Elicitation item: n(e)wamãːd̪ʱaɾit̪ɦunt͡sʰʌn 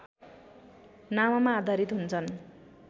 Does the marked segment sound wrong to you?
yes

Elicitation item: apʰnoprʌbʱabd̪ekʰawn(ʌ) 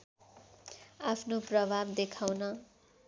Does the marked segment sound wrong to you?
no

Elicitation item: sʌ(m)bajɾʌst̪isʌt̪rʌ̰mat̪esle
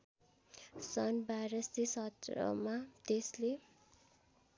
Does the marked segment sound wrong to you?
yes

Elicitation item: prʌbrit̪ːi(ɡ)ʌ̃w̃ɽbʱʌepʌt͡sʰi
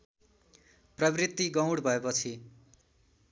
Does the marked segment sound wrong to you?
no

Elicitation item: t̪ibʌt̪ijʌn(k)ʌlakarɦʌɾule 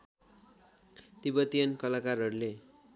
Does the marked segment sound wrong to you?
no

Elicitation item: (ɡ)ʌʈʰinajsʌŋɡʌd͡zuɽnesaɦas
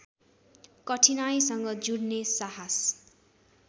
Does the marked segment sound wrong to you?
yes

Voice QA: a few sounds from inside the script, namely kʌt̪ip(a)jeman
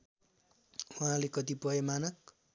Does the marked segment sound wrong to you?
yes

